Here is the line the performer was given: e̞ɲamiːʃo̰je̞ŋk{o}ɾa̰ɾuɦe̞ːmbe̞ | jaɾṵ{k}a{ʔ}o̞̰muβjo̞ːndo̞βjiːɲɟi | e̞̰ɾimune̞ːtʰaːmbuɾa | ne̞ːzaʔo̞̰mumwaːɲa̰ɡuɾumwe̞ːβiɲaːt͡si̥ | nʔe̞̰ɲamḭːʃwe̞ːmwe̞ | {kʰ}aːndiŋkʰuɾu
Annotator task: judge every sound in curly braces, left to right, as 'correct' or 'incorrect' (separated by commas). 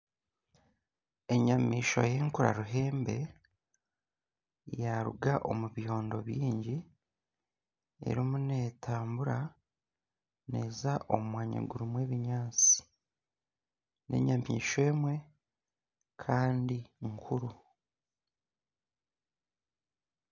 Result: incorrect, incorrect, correct, correct